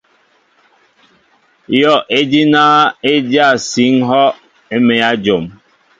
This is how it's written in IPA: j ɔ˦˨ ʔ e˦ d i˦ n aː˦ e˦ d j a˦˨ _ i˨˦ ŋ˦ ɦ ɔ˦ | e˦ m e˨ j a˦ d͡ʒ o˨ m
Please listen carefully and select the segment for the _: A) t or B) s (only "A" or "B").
B